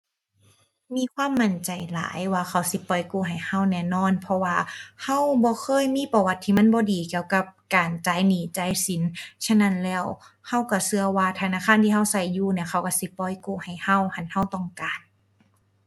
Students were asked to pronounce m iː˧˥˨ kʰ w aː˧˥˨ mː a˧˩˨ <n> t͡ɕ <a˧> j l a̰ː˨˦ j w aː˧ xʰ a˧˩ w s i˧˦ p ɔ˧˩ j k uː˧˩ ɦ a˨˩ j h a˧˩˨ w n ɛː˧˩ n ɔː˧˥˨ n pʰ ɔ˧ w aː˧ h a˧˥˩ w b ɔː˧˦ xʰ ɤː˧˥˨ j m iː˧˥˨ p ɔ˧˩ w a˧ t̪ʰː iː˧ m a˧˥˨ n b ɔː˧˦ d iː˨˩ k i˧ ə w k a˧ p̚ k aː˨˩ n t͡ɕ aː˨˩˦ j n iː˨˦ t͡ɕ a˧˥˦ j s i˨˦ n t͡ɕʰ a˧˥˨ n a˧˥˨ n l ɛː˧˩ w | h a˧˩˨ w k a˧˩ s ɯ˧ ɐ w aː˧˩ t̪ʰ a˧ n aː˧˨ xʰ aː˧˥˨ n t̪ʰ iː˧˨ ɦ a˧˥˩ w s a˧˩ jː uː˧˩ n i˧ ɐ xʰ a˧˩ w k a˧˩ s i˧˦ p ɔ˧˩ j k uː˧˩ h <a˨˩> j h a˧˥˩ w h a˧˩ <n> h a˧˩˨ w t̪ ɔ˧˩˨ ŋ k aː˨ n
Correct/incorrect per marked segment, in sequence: correct, incorrect: a˨˩, correct, correct

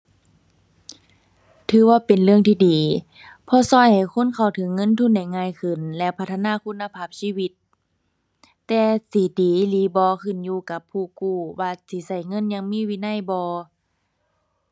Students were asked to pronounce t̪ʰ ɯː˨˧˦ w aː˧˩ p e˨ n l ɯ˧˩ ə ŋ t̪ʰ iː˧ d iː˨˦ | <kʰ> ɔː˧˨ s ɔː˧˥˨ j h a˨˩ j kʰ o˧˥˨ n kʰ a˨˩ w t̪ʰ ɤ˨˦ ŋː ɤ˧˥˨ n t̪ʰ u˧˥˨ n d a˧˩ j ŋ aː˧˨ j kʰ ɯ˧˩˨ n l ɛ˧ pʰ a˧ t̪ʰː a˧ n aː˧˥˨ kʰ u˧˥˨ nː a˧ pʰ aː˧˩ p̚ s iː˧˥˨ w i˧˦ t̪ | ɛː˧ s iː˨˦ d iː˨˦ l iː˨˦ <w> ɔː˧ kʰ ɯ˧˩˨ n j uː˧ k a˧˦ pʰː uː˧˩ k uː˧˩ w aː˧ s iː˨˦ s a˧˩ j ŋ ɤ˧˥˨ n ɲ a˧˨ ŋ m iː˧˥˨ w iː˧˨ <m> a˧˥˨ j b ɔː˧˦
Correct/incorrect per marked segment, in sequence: incorrect: pʰ, incorrect: b, incorrect: n

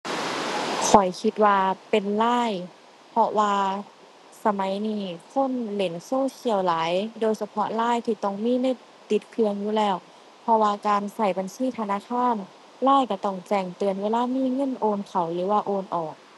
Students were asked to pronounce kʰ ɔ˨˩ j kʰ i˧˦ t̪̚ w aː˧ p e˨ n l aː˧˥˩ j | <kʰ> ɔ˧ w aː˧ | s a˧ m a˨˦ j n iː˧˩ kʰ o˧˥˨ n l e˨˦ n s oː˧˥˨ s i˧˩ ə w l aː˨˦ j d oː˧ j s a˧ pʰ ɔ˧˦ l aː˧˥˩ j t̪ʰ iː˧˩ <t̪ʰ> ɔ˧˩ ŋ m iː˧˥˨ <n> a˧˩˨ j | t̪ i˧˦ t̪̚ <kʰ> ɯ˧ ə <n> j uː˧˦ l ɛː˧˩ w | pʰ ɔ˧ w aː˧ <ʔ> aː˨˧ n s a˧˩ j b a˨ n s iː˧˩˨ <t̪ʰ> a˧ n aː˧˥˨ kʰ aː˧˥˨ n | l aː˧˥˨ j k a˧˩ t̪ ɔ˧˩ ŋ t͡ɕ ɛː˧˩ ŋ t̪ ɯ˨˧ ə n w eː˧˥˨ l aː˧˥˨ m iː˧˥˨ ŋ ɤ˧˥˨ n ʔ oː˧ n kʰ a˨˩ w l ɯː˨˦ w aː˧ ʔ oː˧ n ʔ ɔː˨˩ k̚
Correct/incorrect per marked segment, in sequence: incorrect: pʰ, incorrect: t̪, correct, correct, incorrect: ŋ, incorrect: k, correct

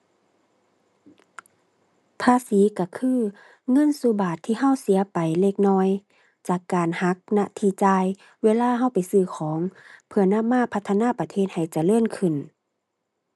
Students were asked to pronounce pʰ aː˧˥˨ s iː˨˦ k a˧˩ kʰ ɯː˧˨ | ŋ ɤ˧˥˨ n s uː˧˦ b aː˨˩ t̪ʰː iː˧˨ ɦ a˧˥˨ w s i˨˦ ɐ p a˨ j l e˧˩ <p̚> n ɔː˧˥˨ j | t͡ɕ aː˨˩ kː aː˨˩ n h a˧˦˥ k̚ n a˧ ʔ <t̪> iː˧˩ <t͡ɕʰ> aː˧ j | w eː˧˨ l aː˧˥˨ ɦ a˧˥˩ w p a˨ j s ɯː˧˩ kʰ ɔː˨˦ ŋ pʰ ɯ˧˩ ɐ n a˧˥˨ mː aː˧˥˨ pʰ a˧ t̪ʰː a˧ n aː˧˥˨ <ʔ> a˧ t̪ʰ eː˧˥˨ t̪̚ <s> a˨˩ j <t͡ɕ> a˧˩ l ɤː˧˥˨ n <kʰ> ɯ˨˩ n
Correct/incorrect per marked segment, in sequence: incorrect: k̚, incorrect: t̪ʰ, incorrect: t͡ɕ, incorrect: p, incorrect: h, correct, correct

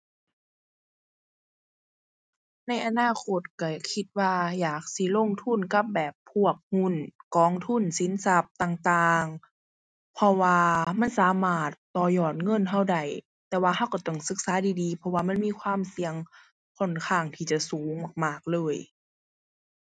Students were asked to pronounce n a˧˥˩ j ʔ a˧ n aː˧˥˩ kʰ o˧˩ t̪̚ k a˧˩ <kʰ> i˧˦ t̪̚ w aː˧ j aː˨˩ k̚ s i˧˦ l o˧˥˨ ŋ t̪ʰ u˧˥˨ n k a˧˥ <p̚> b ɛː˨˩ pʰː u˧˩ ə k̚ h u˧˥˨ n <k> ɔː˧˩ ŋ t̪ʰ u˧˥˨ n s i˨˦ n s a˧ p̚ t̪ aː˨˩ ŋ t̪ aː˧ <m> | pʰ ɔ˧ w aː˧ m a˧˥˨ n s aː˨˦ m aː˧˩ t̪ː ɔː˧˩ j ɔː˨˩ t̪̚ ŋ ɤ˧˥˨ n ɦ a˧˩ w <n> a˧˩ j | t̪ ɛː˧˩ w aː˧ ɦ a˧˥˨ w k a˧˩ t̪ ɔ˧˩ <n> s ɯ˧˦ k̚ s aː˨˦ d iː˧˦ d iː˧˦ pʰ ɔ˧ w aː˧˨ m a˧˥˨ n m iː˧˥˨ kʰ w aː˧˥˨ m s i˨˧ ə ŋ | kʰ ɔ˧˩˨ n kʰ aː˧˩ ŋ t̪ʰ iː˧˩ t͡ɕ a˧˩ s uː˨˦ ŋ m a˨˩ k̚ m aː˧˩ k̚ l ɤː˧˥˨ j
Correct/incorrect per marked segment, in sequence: correct, correct, correct, incorrect: ŋ, incorrect: d, incorrect: ŋ

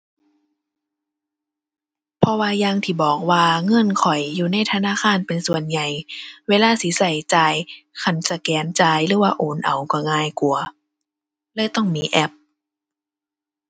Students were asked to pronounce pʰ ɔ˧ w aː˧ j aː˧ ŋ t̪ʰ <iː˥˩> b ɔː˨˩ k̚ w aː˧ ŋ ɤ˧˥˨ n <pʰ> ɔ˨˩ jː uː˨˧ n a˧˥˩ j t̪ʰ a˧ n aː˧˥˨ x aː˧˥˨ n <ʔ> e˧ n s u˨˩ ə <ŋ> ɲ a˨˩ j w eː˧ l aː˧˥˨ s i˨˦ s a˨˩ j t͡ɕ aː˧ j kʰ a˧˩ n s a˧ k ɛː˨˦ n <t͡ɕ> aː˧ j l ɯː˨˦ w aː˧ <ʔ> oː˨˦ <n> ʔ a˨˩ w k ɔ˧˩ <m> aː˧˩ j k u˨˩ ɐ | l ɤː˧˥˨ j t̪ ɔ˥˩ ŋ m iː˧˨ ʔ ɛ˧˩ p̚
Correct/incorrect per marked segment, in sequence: incorrect: iː˧˩, incorrect: kʰ, incorrect: p, incorrect: n, correct, correct, correct, incorrect: ŋ

